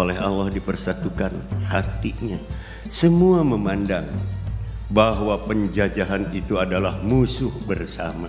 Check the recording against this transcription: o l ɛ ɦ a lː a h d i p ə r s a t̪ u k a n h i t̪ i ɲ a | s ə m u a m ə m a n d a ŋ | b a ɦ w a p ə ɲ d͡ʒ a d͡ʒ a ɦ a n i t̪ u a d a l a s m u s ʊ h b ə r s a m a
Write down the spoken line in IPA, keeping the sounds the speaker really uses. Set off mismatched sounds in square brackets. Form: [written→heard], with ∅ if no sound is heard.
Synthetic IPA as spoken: o l ɛ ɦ a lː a h d i p ə r s a t̪ u k a n h [i→a] t̪ i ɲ a | s ə m u a m ə m a n d a ŋ | b a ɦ w a p ə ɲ d͡ʒ a d͡ʒ a ɦ a n i t̪ u a d a l a [s→h] m u s ʊ h b ə r s a m a